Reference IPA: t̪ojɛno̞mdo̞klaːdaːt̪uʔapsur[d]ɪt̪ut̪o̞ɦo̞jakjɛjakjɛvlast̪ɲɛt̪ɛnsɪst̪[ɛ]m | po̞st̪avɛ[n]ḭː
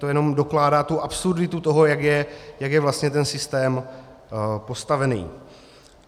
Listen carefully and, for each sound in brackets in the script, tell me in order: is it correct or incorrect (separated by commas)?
correct, incorrect, correct